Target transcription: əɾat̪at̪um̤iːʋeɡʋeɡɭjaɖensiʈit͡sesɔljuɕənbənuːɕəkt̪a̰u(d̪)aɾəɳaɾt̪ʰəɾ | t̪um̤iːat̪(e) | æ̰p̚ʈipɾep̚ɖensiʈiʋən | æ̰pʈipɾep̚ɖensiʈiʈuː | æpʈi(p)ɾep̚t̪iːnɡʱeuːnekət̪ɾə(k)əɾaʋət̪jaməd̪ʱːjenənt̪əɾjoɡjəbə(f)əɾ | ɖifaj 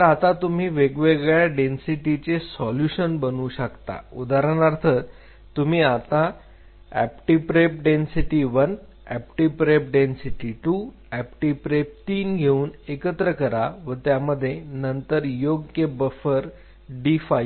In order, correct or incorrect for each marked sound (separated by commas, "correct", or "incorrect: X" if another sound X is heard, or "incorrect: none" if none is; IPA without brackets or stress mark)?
correct, incorrect: a, correct, correct, correct